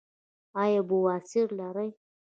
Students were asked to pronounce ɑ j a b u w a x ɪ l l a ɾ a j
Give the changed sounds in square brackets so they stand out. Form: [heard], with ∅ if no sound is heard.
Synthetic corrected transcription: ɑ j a b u w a [s] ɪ [ɾ] l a ɾ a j